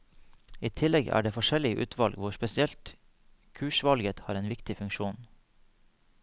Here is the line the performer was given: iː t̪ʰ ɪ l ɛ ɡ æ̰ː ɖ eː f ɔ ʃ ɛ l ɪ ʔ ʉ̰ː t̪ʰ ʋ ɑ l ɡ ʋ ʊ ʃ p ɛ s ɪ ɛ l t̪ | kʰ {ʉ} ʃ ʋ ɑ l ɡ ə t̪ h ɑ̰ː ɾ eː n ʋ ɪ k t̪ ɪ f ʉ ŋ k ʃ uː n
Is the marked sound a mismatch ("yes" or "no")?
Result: yes